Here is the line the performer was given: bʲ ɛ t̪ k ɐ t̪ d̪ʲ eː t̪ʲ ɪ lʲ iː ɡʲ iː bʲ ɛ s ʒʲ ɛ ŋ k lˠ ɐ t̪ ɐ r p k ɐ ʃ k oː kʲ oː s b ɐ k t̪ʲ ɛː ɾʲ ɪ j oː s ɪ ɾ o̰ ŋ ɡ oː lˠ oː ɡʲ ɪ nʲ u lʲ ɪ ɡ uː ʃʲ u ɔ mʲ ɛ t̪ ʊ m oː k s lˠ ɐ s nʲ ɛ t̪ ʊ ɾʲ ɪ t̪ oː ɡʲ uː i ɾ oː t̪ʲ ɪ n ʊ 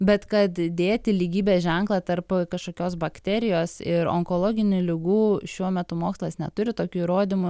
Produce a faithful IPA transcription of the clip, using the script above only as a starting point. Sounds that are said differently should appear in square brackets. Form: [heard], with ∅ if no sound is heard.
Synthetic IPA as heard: bʲ ɛ t̪ k ɐ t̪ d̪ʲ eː t̪ʲ ɪ lʲ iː ɡʲ iː bʲ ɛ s ʒʲ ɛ ŋ k lˠ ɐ t̪ ɐ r p k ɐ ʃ k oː kʲ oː s b ɐ k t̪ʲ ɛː ɾʲ ɪ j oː s ɪ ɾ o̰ ŋ [k] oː lˠ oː ɡʲ ɪ nʲ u lʲ ɪ ɡ uː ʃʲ u ɔ mʲ ɛ t̪ ʊ m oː k s lˠ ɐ s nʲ ɛ t̪ ʊ ɾʲ ɪ t̪ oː [kʲ] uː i ɾ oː [d̪ʲ] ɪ [m] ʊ